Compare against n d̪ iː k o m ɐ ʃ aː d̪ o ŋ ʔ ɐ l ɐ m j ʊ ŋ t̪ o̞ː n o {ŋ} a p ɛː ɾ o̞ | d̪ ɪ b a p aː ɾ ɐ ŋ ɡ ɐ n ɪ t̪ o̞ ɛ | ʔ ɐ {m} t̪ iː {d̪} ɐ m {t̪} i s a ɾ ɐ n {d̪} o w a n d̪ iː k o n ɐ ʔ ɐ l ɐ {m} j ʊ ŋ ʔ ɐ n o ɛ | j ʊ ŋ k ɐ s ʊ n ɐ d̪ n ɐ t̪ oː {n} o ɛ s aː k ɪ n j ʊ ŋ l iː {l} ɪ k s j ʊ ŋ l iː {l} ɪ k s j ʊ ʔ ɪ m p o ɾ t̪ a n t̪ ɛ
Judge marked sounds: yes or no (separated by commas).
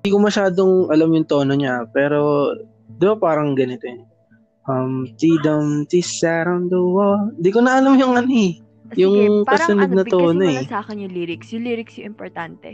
no, yes, yes, yes, yes, yes, yes, no, no